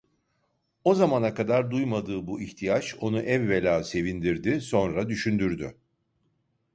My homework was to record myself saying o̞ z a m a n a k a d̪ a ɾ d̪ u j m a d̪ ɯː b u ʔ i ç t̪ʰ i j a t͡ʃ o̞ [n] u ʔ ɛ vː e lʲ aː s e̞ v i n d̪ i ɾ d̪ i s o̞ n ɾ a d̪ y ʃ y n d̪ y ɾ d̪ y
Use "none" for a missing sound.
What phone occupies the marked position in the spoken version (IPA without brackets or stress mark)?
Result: n